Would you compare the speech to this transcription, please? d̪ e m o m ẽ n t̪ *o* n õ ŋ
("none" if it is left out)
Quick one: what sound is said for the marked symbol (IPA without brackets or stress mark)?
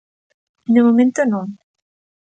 o